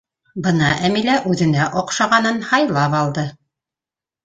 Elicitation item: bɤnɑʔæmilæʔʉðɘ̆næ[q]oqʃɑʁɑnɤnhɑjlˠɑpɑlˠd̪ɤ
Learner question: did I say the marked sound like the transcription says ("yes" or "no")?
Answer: no